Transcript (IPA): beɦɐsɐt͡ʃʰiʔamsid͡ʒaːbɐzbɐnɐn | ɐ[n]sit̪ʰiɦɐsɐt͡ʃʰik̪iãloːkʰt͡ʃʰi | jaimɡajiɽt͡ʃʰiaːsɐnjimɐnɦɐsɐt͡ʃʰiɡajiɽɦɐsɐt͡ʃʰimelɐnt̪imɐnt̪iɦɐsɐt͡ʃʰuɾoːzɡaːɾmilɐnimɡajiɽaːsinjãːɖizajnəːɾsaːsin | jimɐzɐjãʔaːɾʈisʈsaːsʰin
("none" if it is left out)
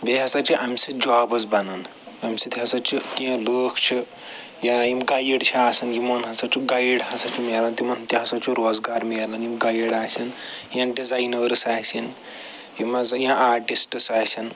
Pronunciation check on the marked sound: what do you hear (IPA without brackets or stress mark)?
m